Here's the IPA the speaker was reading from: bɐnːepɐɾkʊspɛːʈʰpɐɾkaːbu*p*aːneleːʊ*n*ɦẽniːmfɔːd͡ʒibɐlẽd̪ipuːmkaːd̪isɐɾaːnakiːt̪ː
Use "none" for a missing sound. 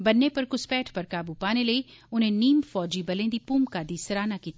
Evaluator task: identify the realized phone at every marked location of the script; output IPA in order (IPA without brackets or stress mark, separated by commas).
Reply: p, n